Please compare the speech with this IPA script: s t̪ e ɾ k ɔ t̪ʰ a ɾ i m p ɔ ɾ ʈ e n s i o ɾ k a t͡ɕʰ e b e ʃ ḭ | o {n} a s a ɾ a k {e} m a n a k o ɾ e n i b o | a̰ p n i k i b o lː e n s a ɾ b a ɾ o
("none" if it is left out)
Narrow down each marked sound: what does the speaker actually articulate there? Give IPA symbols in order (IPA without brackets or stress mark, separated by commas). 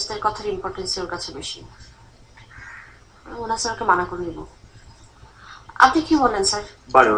n, e